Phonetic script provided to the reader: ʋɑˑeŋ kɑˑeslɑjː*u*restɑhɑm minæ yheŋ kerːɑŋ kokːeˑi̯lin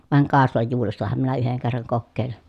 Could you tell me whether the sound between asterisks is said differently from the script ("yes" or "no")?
yes